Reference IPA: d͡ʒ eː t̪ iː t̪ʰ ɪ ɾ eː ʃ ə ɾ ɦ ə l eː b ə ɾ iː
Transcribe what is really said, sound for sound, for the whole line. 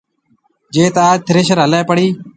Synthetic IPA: d͡ʒ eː t̪ aː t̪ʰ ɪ ɾ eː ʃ ə ɾ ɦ ə l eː p ə ɽ iː